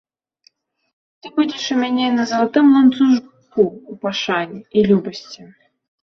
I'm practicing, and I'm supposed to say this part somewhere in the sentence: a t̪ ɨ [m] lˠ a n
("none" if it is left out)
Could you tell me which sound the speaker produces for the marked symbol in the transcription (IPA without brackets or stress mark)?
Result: m